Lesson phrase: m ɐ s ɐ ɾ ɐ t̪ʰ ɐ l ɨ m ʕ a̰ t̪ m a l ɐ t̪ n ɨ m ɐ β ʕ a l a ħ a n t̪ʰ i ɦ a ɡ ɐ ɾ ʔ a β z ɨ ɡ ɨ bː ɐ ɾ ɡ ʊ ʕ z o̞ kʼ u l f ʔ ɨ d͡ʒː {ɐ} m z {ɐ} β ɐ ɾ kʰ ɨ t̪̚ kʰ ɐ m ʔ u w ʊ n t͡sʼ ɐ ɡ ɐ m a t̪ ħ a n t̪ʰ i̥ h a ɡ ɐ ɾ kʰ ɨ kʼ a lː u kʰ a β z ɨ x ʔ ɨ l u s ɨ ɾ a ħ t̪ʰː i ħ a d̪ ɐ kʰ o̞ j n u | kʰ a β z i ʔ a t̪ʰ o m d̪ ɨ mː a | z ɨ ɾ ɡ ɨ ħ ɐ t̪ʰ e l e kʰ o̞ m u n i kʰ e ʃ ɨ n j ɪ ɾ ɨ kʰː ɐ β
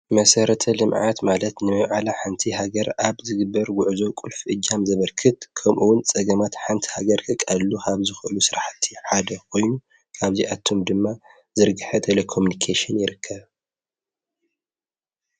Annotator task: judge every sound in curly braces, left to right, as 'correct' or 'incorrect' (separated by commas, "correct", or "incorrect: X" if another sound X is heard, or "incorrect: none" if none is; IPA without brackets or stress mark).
incorrect: a, correct